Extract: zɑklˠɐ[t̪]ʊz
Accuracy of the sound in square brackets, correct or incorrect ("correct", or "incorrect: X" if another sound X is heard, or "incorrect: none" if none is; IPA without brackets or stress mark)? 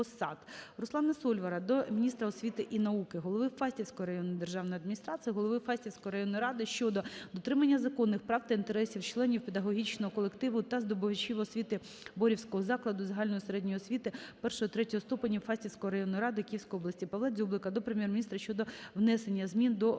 incorrect: d̪